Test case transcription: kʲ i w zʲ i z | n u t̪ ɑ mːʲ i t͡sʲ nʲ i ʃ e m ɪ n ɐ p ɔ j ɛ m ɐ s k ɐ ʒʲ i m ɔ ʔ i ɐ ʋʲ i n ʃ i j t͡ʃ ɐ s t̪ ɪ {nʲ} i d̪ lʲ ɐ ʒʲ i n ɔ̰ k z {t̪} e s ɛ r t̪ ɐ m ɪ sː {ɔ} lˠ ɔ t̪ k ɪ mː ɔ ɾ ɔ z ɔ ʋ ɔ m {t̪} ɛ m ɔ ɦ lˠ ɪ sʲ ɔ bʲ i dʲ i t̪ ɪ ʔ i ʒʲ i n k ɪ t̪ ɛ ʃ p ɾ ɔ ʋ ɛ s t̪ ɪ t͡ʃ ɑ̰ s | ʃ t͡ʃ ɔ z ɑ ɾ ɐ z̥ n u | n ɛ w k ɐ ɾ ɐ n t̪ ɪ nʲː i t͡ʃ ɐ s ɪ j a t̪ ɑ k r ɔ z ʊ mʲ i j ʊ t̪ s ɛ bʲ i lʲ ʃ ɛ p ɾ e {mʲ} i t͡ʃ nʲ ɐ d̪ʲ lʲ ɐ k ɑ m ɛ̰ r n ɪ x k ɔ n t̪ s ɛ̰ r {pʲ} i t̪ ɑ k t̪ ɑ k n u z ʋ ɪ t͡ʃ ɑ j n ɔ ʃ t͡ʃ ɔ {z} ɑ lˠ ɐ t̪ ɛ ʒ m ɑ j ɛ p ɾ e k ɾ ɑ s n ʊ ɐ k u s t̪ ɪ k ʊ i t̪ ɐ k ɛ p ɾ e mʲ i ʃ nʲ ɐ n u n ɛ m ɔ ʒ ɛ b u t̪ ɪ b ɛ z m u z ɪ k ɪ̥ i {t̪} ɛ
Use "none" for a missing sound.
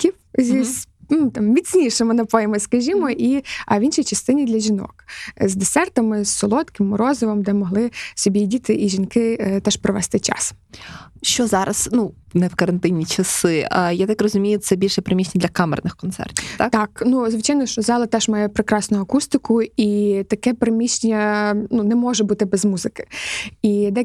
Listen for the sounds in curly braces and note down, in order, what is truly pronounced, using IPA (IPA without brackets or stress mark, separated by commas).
nʲ, d̪, ɔ, d̪, mʲ, tʲ, z, d̪